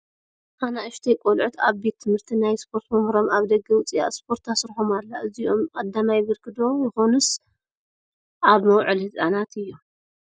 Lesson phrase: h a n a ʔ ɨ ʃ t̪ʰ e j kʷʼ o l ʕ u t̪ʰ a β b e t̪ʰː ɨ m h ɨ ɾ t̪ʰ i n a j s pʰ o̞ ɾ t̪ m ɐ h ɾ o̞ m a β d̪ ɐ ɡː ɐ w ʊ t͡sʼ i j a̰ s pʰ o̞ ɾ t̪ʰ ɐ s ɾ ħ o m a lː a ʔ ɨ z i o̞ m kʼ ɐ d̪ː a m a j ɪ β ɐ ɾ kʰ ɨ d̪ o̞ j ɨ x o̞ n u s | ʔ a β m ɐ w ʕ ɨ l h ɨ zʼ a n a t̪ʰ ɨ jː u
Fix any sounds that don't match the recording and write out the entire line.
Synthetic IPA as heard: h a n a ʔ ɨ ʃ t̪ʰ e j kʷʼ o l ʕ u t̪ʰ a β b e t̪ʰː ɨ m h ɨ ɾ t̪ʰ i n a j s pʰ o̞ ɾ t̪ m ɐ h ɾ o̞ m a β d̪ ɐ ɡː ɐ w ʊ t͡sʼ i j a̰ s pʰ o̞ ɾ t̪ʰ a s ɾ ħ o m a lː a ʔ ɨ z i o̞ m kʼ ɐ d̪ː a m a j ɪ β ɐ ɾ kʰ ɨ d̪ o̞ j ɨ x o̞ n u s | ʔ a β m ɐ w ʕ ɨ l h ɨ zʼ a n a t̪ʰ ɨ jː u

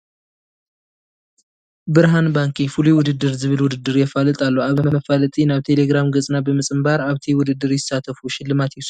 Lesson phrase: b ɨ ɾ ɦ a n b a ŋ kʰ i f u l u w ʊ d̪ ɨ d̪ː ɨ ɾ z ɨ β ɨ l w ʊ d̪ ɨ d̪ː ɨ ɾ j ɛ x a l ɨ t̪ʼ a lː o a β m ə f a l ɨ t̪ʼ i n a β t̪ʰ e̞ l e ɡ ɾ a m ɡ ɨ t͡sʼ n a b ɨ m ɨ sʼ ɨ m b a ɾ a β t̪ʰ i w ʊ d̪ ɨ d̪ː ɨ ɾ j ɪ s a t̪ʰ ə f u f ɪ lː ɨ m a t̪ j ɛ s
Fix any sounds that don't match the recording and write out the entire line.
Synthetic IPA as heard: b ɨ ɾ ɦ a n b a ŋ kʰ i f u l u w ʊ d̪ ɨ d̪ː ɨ ɾ z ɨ β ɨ l w ʊ d̪ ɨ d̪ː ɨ ɾ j ɛ f a l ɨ t̪ʼ a lː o a β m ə f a l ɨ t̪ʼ i n a β t̪ʰ e̞ l e ɡ ɾ a m ɡ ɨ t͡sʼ n a b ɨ m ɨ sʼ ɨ m b a ɾ a β t̪ʰ i w ʊ d̪ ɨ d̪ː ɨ ɾ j ɪ s a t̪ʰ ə f u ʃ ɪ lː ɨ m a t̪ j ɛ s

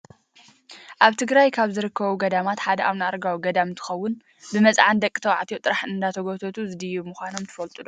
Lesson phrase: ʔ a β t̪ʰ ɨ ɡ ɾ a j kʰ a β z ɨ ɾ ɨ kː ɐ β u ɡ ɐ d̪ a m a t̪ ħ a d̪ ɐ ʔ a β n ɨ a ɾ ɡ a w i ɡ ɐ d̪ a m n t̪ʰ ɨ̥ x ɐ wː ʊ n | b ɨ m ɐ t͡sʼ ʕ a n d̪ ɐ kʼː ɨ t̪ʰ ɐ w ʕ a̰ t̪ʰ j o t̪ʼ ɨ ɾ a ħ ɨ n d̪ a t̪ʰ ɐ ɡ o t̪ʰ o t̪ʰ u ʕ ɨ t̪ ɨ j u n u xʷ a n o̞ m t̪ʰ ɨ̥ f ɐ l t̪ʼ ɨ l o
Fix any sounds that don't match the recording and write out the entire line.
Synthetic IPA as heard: ʔ a β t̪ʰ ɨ ɡ ɾ a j kʰ a β z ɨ ɾ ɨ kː ɐ β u ɡ ɐ d̪ a m a t̪ ħ a d̪ ɐ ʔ a β n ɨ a ɾ ɡ a w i ɡ ɐ d̪ a m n t̪ʰ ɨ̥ x ɐ wː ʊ n | b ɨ m ɐ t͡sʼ ʕ a n d̪ ɐ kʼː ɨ t̪ʰ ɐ w ʕ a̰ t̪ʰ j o t̪ʼ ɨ ɾ a ħ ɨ n d̪ a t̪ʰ ɐ ɡ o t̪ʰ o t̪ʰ u z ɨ d̪ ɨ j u m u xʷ a n o̞ m t̪ʰ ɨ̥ f ɐ l t̪ʼ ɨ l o

